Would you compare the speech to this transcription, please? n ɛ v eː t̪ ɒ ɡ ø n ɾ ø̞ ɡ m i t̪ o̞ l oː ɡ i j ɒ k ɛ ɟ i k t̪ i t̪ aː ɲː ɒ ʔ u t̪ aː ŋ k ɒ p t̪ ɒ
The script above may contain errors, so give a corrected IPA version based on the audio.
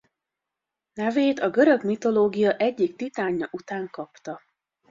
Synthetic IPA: n ɛ v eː t̪ ɒ ɡ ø ɾ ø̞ ɡ m i t̪ o̞ l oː ɡ i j ɒ ʔ ɛ ɟː i k t̪ i t̪ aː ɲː ɒ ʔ u t̪ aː ŋ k ɒ p t̪ ɒ

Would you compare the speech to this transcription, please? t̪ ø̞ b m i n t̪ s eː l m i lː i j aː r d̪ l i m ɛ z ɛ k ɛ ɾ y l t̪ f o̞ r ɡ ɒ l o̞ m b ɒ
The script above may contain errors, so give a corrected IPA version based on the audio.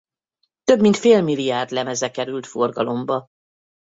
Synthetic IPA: t̪ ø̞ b m i n t̪ f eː l m i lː i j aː r d̪ l ɛ m ɛ z ɛ k ɛ ɾ y l t̪ f o̞ r ɡ ɒ l o̞ m b ɒ

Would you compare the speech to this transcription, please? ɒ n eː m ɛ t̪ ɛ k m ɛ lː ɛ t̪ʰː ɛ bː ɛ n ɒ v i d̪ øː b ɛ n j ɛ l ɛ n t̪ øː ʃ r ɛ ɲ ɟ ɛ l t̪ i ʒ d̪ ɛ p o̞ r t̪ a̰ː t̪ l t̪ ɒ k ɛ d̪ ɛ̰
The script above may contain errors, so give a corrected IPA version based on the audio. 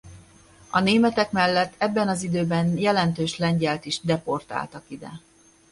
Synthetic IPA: ɒ n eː m ɛ t̪ ɛ k m ɛ lː ɛ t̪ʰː ɛ bː ɛ n ɒ z i d̪ øː b ɛ n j ɛ l ɛ n t̪ øː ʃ l ɛ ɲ ɟ ɛ l t̪ i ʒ d̪ ɛ p o̞ r t̪ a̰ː l t̪ ɒ k i d̪ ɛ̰

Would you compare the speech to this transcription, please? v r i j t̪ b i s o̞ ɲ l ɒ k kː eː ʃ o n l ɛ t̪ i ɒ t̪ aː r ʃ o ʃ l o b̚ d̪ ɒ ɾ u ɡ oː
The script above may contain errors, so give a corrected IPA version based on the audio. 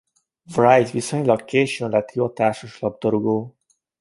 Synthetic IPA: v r a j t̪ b i s o̞ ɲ l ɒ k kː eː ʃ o n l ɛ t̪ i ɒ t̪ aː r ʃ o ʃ l ɒ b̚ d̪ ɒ ɾ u ɡ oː

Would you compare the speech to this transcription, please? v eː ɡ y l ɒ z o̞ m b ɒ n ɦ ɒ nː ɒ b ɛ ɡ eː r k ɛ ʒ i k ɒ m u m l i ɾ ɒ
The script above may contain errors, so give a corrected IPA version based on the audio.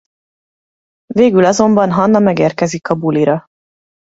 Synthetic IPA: v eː ɡ y l ɒ z o̞ m b ɒ n ɦ ɒ nː ɒ m ɛ ɡ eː r k ɛ z i k ɒ b u l i ɾ ɒ

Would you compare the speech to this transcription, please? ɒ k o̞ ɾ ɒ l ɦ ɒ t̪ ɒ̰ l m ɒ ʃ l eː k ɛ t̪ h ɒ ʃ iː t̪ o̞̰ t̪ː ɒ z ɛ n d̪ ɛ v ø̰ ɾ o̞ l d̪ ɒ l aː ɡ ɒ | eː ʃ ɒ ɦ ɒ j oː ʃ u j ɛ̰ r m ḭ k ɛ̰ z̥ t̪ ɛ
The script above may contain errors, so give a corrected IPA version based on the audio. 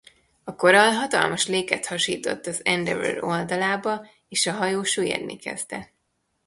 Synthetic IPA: ɒ k o̞ ɾ ɒ l ɦ ɒ t̪ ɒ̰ l m ɒ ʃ l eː k ɛ t̪ h ɒ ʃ iː t̪ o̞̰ t̪ː ɒ z ɛ n d̪ ɛ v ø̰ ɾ o̞ l d̪ ɒ l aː b ɒ | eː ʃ ɒ ɦ ɒ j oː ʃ u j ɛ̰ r n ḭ k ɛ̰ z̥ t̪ ɛ

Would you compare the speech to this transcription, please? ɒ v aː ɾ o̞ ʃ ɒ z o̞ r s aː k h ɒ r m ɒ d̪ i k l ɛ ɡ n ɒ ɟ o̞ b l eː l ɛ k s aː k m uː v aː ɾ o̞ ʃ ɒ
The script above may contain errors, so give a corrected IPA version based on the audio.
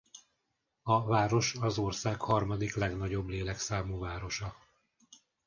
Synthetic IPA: ɒ v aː ɾ o̞ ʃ ɒ z o̞ r s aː k h ɒ r m ɒ d̪ i k l ɛ ɡ n ɒ ɟ o̞ b l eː l ɛ k s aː m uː v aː ɾ o̞ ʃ ɒ

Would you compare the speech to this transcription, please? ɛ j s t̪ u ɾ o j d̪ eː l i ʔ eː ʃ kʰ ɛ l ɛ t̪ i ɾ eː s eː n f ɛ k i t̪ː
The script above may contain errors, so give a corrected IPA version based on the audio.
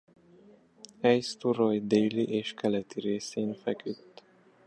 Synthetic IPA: ɛ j s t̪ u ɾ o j d̪ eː l i ʔ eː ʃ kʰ ɛ l ɛ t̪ i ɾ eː s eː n f ɛ k y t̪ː

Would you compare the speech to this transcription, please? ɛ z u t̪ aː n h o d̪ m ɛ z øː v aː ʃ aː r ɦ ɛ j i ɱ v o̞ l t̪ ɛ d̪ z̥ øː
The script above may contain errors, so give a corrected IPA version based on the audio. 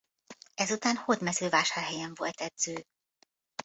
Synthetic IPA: ɛ z u t̪ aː n h o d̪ m ɛ z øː v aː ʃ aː r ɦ ɛ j ɛ ɱ v o̞ l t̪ ɛ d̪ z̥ øː

